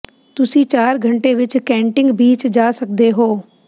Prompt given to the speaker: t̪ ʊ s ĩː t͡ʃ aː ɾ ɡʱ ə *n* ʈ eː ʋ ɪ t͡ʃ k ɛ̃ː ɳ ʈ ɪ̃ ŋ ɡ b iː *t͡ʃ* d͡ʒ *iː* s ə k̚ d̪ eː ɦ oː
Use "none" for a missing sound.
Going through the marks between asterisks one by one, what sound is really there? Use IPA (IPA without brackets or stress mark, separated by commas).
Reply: ɳ, t͡ʃ, aː